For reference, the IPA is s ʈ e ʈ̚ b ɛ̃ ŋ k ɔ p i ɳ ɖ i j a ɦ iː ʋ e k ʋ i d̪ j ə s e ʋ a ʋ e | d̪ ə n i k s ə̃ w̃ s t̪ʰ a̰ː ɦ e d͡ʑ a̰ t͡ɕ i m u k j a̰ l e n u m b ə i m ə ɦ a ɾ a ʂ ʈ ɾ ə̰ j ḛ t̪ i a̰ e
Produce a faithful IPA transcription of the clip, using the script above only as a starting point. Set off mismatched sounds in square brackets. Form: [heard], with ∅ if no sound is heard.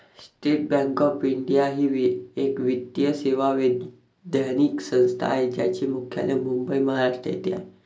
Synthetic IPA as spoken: s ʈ e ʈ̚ b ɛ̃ ŋ k ɔ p i ɳ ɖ i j a ɦ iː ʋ e k ʋ i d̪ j ə s e ʋ a ʋ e | d̪ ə n i k s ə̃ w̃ s t̪ʰ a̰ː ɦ e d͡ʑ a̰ t͡ɕ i m u [kʰ] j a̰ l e [m] u m b ə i m ə ɦ a ɾ a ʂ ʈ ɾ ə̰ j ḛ t̪ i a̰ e